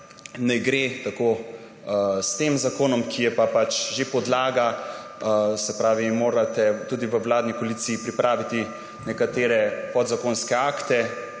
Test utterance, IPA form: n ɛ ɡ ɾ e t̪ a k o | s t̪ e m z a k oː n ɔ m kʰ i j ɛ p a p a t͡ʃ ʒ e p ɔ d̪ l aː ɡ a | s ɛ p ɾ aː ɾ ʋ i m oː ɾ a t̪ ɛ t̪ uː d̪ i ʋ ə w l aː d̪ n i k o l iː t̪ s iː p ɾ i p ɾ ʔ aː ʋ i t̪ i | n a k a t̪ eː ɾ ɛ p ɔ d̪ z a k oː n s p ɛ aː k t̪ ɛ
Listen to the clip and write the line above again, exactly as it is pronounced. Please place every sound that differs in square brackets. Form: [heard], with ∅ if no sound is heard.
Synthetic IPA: n ɛ ɡ ɾ e t̪ a k o | s t̪ e m z a k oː n ɔ m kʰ i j ɛ p a p a t͡ʃ ʒ e p ɔ d̪ l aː ɡ a | s ɛ p ɾ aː [∅] ʋ i m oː ɾ a t̪ ɛ t̪ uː d̪ i ʋ ə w l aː d̪ n i k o l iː t̪ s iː p ɾ i p ɾ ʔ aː ʋ i t̪ i | n [ɛ] k a t̪ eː ɾ ɛ p ɔ d̪ z a k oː n s [k] ɛ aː k t̪ ɛ